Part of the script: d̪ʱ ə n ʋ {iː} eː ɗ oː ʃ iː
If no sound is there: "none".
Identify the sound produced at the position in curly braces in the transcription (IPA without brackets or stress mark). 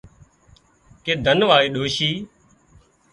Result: aː